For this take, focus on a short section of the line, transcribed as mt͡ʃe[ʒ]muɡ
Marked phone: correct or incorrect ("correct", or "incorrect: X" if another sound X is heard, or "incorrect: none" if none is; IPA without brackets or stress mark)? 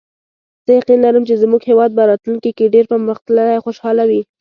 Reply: incorrect: z